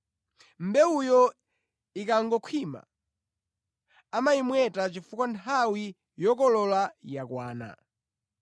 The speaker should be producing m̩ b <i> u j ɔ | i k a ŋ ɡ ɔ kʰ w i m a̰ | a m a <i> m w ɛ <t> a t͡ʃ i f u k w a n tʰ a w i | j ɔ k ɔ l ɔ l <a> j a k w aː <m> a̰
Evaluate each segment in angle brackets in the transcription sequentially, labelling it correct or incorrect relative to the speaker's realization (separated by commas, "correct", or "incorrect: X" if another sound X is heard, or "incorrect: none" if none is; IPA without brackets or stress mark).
incorrect: ɛ, correct, correct, correct, incorrect: n